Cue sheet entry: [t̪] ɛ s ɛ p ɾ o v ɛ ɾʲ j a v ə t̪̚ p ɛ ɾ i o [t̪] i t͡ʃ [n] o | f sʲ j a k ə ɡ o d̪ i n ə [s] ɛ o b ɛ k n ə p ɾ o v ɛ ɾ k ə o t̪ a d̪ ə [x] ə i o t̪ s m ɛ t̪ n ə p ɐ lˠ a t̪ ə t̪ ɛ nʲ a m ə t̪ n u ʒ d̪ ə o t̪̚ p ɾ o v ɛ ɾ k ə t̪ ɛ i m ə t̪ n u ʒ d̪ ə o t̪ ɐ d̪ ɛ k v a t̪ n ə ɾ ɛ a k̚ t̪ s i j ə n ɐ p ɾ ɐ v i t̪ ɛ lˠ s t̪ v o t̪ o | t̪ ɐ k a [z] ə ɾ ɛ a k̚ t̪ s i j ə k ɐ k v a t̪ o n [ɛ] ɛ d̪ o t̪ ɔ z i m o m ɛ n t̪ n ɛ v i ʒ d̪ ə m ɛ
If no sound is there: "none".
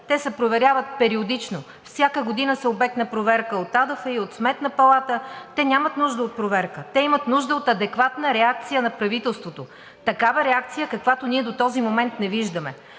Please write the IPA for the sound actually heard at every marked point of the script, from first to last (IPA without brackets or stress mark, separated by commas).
t̪, d̪, n, s, f, v, i